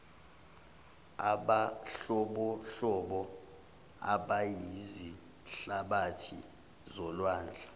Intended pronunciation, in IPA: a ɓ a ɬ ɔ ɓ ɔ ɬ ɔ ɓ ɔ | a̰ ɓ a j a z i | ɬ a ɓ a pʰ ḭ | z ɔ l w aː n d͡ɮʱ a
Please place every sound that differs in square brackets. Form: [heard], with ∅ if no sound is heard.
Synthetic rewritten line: a ɓ a ɬ ɔ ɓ ɔ ɬ ɔ ɓ ɔ | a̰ ɓ a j [i] z i | ɬ a ɓ a [tʰ] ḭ | z ɔ l w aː n d͡ɮʱ a